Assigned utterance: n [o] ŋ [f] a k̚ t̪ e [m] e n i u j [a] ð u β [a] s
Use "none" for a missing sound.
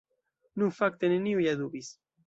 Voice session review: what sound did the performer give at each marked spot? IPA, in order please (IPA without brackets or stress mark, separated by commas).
u, f, n, a, i